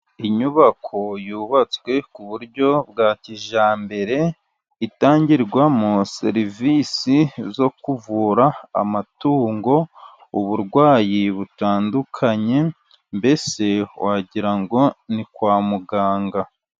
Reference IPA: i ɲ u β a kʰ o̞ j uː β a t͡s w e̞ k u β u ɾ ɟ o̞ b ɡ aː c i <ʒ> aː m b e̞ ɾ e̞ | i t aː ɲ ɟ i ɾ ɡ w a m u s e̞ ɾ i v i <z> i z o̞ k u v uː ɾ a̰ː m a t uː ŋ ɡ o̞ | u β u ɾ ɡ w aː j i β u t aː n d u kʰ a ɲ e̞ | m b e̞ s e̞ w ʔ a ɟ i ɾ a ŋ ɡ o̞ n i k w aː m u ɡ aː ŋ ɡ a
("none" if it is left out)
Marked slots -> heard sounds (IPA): ʒ, s

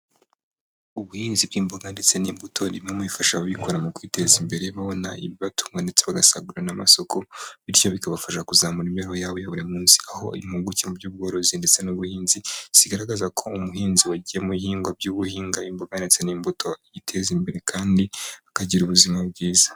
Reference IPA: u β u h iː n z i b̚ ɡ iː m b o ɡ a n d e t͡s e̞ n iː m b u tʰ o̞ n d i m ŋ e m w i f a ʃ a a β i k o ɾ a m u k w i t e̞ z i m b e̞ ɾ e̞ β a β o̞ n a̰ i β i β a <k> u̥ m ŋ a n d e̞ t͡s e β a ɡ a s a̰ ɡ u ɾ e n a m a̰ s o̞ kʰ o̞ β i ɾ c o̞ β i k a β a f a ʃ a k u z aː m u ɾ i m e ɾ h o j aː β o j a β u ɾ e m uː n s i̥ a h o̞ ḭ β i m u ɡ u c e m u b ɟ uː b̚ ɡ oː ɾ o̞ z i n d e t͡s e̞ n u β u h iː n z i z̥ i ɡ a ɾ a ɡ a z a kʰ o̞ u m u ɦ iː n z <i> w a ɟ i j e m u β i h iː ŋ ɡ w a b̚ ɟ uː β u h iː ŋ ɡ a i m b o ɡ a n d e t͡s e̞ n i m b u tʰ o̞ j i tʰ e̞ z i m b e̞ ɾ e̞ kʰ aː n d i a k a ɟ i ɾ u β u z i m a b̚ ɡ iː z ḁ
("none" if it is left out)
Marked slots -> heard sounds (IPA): t, i

